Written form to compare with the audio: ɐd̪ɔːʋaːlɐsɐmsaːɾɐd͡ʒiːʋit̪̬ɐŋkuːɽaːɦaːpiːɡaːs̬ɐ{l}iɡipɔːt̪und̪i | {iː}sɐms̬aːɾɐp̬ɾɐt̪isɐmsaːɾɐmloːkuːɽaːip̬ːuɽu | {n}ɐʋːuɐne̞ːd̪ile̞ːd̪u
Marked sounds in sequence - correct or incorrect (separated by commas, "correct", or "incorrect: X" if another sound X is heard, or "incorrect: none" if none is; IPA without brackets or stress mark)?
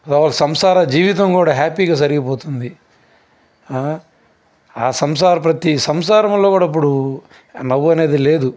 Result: incorrect: ɾ, incorrect: aː, correct